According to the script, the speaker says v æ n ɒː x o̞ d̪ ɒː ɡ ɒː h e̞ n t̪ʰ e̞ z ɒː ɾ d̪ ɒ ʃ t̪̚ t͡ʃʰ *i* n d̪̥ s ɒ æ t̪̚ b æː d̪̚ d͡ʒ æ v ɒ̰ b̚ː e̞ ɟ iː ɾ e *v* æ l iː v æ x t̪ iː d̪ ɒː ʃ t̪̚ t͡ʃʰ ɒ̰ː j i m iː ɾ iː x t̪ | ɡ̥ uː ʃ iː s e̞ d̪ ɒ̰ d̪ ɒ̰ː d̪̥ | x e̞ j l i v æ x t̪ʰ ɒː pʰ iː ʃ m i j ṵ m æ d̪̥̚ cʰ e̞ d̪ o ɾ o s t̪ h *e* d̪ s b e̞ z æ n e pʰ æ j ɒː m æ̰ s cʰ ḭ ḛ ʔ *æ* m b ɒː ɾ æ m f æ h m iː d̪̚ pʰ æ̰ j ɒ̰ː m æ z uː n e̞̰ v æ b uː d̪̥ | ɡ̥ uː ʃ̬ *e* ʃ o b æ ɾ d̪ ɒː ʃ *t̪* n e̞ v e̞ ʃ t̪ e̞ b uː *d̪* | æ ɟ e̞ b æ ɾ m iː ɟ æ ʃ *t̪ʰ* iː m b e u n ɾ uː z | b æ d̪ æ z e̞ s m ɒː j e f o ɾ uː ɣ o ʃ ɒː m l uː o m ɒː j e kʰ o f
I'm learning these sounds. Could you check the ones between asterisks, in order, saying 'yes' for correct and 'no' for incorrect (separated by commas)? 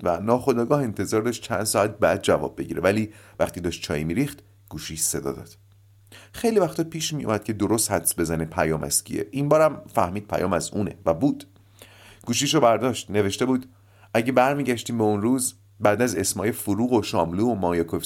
no, yes, no, no, no, yes, yes, no